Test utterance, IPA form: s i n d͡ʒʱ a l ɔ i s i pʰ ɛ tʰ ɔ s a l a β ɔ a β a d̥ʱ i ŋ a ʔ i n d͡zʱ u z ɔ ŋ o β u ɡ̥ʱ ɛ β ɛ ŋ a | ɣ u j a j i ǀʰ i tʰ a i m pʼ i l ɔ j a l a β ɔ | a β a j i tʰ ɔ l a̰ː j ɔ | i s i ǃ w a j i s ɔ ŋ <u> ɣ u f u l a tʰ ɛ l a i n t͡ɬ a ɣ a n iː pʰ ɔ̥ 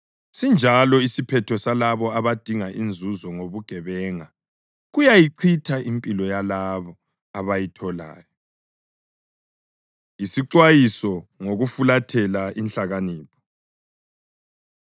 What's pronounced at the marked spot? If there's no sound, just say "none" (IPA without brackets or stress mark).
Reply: o